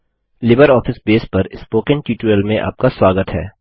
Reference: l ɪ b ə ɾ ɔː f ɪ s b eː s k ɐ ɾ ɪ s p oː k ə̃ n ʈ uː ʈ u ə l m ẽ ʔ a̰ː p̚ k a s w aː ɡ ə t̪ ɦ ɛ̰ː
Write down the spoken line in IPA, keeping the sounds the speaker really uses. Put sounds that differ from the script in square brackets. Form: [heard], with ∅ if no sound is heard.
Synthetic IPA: l ɪ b ə ɾ ɔː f ɪ s b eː s [p] ɐ ɾ ɪ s p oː k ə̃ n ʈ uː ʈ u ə l m ẽ ʔ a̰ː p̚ k a s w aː ɡ ə t̪ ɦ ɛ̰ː

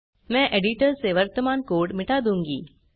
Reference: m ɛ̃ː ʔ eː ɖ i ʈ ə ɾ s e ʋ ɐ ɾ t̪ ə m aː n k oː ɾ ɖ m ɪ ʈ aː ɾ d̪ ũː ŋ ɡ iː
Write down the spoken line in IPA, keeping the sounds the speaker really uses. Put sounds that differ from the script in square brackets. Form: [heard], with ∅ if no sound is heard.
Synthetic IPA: m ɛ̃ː ʔ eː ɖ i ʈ ə ɾ s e ʋ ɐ ɾ t̪ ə m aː n k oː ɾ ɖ m ɪ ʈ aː [∅] d̪ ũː ŋ ɡ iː

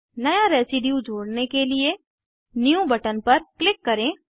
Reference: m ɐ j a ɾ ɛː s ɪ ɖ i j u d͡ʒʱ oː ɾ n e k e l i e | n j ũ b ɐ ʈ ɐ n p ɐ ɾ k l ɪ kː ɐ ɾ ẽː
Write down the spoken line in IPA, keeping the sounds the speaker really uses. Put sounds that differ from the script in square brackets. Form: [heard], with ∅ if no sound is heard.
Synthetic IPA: [n] ɐ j a ɾ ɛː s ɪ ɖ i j u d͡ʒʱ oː [ɽ] n e k e l i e | n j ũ b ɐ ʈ [ə] n p ɐ ɾ k l ɪ kː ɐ ɾ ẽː

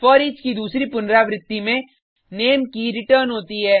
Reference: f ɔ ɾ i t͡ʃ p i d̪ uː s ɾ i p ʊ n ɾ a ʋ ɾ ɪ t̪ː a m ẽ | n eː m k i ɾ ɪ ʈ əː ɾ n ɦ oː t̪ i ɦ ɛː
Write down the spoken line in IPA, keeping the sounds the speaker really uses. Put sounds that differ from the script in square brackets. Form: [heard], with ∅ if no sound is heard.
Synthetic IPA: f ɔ ɾ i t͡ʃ [k] i d̪ uː s ɾ i p ʊ n ɾ a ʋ ɾ ɪ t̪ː [i] m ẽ | n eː m k i ɾ ɪ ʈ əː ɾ n ɦ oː t̪ i ɦ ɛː

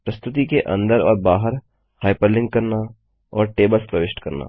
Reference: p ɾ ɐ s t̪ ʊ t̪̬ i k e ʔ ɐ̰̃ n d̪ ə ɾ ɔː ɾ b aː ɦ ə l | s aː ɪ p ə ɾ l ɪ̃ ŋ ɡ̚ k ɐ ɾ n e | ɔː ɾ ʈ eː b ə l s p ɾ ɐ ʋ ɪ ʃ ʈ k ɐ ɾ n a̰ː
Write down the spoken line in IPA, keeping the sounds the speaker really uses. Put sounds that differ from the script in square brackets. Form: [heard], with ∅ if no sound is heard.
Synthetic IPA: p ɾ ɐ s t̪ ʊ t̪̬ i k e ʔ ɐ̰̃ n d̪ ə ɾ ɔː ɾ b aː ɦ ə [ɾ] | [h] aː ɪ p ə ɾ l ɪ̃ ŋ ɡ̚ k ɐ ɾ n [a] | ɔː ɾ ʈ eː b ə l s p ɾ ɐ ʋ ɪ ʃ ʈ k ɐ ɾ n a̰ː

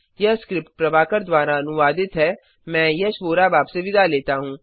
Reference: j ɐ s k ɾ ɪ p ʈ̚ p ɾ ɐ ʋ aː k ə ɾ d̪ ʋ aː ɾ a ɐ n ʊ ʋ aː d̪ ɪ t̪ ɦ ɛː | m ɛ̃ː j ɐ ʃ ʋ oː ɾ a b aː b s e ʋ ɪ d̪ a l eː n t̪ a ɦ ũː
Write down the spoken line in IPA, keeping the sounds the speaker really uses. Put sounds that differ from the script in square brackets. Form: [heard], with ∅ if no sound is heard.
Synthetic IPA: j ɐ s k ɾ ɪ p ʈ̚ p ɾ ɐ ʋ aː k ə ɾ d̪ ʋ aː ɾ a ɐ n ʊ ʋ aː d̪ ɪ t̪ ɦ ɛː | m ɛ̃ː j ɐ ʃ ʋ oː ɾ a b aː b s e ʋ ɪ d̪ a l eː [∅] t̪ a ɦ ũː

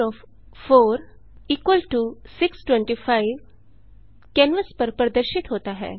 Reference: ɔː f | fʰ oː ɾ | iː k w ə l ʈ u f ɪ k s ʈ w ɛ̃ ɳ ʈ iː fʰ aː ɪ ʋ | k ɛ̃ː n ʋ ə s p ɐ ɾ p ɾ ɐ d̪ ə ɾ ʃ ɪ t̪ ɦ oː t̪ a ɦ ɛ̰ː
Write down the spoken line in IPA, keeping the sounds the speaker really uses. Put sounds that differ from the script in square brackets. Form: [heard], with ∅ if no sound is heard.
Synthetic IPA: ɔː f | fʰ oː ɾ | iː k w ə l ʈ u [s] ɪ k s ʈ w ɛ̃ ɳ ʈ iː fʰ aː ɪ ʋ | k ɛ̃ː n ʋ ə s p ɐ ɾ p ɾ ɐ d̪ ə ɾ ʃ ɪ t̪ ɦ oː t̪ a ɦ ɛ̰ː

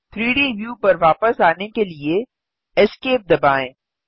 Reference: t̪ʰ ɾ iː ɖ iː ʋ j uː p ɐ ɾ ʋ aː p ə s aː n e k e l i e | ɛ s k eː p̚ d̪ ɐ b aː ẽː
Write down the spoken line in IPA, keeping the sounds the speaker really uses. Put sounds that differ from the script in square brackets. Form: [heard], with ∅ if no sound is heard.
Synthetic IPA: t̪ʰ ɾ iː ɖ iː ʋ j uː p ɐ ɾ ʋ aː p ə s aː n e k e l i e | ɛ s k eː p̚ d̪ ɐ b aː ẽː

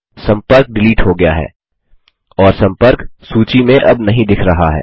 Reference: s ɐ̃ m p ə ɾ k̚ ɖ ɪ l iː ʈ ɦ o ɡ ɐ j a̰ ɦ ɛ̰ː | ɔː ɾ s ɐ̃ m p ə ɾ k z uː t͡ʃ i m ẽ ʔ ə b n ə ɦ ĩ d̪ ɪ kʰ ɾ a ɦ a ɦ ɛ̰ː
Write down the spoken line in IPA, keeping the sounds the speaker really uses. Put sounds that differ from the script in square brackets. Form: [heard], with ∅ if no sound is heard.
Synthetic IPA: s ɐ̃ m p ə ɾ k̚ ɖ ɪ l iː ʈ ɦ o ɡ ɐ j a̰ ɦ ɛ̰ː | ɔː ɾ s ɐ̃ m p ə ɾ k [s] uː t͡ʃ i m ẽ ʔ [ɐ] b n [ɐ] ɦ ĩ d̪ ɪ kʰ ɾ [ɐ] ɦ a ɦ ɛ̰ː

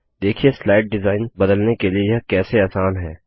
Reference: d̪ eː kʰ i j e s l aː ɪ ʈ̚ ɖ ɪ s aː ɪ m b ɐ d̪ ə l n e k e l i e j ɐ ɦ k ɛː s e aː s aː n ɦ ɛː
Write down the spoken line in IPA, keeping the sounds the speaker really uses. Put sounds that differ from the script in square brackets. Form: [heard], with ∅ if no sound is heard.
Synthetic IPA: d̪ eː kʰ i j e s l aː ɪ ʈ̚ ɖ ɪ [z] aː ɪ [n] b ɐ d̪ ə l n e k e l i e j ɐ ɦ k ɛː s e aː s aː n ɦ ɛː

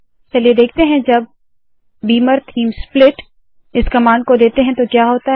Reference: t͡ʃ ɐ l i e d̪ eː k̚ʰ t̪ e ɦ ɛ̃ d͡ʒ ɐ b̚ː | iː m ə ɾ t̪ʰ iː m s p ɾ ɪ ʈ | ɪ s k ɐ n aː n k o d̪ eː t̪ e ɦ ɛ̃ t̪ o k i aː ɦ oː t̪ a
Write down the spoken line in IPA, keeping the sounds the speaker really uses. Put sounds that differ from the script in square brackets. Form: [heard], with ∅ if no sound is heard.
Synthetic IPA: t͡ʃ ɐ l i e d̪ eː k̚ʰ t̪ e ɦ ɛ̃ d͡ʒ ɐ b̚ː | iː m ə ɾ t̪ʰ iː m s p [l] ɪ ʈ | ɪ s k ɐ [m] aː n k o d̪ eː t̪ e ɦ ɛ̃ t̪ o k [j] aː ɦ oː t̪ a

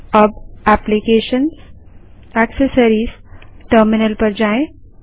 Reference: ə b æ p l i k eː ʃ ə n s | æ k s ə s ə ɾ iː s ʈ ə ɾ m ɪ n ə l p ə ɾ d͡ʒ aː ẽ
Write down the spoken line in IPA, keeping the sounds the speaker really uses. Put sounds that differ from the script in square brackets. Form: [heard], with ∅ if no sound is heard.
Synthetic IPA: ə b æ p l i k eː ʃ ə n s | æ k s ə s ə ɾ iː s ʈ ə ɾ m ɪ n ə l p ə ɾ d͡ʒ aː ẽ

